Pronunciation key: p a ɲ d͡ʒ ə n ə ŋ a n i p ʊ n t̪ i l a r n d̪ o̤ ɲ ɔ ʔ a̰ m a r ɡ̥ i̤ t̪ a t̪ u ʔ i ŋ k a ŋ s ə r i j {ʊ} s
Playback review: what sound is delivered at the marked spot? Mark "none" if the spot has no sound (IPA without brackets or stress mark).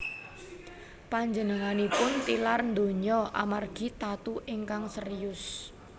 ʊ